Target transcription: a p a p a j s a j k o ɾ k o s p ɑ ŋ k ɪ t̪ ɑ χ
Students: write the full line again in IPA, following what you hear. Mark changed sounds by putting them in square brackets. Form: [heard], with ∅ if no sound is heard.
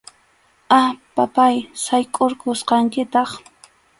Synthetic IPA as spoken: a p a p a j s a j [kʼ] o ɾ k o s [q] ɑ ŋ k ɪ t̪ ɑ χ